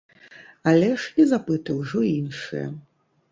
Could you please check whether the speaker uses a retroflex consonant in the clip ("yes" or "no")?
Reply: yes